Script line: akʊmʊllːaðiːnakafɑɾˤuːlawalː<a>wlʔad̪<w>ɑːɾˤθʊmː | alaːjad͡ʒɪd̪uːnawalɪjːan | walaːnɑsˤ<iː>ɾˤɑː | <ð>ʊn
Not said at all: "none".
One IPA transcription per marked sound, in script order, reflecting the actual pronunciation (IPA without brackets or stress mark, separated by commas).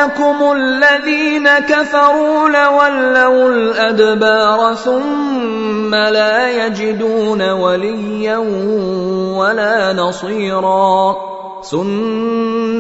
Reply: a, b, iː, θ